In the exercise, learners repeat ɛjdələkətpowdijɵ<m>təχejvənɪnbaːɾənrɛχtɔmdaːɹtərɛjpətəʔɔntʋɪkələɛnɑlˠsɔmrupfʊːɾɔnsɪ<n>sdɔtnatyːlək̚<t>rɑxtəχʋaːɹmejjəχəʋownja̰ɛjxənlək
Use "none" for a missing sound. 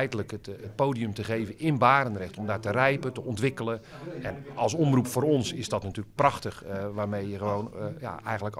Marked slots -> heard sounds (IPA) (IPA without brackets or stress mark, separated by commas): m, none, p